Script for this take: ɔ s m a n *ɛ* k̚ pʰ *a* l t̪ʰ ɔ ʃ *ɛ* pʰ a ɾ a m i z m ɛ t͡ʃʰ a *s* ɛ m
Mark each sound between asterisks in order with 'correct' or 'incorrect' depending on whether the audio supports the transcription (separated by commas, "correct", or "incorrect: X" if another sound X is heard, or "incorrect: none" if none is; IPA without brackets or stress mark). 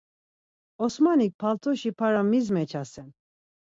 incorrect: i, correct, incorrect: i, correct